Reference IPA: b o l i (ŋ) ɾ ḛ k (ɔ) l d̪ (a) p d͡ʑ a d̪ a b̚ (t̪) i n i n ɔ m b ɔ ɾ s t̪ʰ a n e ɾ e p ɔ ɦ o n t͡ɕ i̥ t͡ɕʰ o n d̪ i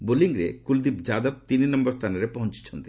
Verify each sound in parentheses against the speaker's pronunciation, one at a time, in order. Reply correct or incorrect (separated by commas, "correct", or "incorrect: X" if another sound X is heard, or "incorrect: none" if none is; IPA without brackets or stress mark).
correct, incorrect: u, incorrect: i, correct